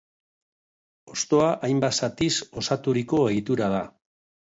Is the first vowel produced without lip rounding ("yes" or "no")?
no